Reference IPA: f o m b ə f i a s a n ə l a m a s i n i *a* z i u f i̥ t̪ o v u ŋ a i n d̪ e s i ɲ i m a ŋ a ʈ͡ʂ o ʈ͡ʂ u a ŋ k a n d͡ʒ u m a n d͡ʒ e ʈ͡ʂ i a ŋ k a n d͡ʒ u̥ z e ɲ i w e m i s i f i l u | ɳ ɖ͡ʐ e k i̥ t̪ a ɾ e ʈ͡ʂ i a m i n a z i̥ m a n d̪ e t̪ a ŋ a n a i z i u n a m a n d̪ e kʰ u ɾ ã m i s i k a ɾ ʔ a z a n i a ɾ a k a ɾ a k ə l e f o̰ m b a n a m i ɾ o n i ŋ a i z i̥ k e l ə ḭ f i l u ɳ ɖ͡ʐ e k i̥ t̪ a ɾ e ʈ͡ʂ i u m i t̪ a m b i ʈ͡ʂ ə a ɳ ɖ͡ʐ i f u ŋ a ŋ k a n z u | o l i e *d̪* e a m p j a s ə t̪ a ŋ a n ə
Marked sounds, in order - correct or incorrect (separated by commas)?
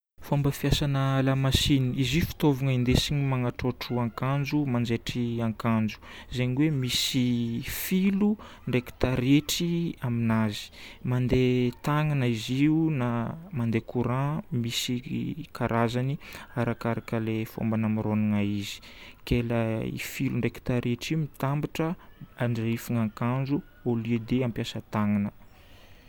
incorrect, correct